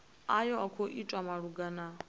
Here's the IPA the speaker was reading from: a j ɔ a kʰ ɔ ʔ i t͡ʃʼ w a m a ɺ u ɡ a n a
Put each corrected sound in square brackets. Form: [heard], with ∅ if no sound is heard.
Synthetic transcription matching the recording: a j ɔ a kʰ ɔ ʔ i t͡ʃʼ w a m a ɺ u ɡ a n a